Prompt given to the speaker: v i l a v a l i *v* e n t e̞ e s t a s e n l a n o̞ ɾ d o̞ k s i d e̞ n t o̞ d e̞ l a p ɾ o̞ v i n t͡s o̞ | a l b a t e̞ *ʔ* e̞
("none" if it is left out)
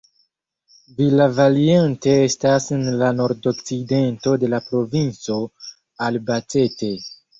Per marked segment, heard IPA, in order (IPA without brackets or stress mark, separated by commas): none, t